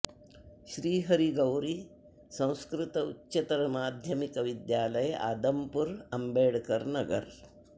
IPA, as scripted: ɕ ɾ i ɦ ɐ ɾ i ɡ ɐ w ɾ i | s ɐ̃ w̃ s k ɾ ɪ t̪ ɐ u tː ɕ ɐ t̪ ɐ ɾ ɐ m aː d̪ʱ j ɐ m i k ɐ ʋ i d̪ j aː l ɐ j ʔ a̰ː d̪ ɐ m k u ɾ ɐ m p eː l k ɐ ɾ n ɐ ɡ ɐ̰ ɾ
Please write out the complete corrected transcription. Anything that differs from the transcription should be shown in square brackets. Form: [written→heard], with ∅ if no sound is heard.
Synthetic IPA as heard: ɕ ɾ [i→iː] ɦ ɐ ɾ i ɡ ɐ w ɾ i | s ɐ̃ w̃ s k ɾ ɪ t̪ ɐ u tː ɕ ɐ t̪ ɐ ɾ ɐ m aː d̪ʱ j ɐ m i k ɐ ʋ i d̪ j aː l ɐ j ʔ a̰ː d̪ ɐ m [k→p] u ɾ ɐ m [p→b] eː [l→ɽ] k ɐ ɾ n ɐ ɡ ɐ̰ ɾ